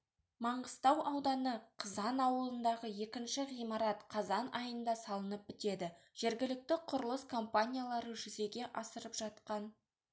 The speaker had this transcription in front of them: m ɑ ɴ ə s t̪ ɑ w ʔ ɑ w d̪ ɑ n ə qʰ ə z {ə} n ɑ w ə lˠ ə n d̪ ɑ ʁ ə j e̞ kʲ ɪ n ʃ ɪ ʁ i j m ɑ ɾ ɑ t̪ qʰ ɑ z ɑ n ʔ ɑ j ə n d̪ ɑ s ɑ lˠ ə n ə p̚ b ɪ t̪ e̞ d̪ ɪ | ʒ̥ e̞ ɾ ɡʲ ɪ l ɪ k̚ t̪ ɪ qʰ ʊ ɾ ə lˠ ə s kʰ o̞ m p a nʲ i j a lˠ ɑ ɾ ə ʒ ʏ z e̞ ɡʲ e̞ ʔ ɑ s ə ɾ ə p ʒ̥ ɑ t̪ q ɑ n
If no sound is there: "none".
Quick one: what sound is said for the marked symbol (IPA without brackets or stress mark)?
ɑ